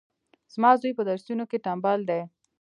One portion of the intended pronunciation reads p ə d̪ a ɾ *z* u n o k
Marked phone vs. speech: incorrect: s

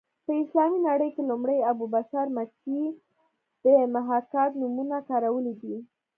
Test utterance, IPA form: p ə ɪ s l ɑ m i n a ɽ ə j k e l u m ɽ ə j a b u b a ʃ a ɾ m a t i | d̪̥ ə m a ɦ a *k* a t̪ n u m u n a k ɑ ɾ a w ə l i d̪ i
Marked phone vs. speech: correct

